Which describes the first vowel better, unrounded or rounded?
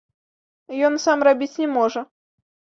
rounded